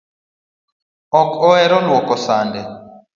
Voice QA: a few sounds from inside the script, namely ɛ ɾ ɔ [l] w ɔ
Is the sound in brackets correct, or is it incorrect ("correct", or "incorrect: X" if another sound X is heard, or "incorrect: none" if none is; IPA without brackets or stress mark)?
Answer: correct